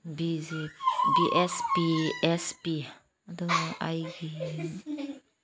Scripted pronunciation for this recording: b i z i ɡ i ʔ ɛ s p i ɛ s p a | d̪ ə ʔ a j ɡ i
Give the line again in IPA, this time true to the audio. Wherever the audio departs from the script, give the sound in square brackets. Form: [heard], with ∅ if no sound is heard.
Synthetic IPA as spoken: b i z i [b] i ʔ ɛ s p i ɛ s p [i] | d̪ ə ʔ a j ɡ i